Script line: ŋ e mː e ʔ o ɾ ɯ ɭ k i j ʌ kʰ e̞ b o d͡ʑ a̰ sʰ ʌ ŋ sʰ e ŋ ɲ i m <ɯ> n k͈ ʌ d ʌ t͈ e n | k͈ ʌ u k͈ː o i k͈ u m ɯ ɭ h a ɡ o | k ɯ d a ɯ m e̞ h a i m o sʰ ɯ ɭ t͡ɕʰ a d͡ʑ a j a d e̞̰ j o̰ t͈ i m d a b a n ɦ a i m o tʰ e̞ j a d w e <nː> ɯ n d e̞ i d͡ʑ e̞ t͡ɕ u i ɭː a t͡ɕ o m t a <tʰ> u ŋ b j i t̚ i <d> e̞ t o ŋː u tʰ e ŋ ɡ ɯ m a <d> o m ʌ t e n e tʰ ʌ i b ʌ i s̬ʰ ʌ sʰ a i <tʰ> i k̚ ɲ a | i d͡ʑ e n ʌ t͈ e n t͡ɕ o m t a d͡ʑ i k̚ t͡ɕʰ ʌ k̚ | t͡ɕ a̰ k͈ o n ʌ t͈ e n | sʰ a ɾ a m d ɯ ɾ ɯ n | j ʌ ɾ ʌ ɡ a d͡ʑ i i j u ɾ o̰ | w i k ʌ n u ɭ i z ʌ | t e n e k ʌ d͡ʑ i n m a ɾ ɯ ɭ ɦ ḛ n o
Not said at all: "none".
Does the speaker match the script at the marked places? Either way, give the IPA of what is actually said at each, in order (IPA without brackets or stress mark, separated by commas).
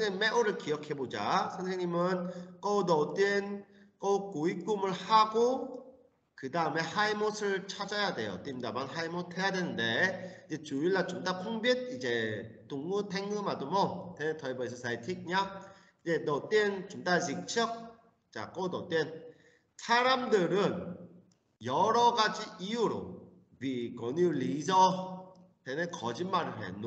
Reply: ɯ, n, pʰ, d͡ʑ, d, tʰ